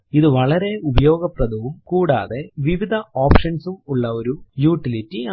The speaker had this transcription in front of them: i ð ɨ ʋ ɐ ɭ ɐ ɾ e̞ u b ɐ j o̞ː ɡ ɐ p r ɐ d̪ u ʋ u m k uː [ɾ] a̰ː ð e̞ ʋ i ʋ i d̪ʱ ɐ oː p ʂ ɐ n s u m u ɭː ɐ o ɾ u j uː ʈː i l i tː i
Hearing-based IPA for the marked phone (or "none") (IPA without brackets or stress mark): ɽ